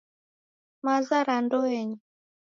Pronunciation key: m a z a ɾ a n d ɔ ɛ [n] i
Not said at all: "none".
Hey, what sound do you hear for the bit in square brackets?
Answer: ɲ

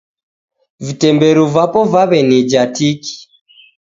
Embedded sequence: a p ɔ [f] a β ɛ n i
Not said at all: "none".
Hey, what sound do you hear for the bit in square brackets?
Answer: v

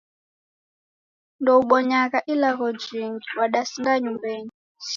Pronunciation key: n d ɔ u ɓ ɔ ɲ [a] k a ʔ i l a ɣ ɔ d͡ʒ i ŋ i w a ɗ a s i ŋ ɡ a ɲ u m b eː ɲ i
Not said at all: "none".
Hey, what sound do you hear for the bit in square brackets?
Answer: a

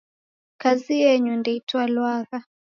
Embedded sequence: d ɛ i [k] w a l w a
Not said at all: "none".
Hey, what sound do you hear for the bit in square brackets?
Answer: t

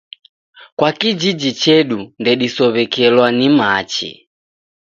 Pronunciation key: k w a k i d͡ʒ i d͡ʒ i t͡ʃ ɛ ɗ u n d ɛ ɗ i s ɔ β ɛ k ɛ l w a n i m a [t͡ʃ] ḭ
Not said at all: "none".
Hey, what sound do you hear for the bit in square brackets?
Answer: t͡ʃ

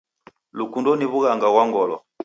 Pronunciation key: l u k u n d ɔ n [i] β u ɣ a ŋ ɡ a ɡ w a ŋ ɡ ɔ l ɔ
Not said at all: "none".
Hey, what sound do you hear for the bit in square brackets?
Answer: i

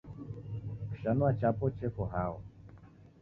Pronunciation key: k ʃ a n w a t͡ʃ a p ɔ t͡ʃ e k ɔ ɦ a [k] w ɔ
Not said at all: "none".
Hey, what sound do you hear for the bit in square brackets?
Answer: none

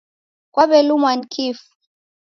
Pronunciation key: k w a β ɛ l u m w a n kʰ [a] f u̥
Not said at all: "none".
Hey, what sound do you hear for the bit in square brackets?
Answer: i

